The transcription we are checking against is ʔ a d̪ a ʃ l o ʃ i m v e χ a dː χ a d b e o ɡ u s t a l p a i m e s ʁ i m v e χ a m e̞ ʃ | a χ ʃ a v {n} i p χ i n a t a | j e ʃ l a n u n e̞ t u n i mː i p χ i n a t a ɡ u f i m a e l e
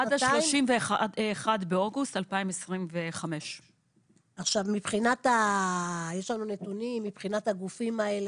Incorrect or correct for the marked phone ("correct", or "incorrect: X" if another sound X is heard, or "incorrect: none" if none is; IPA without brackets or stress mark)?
incorrect: m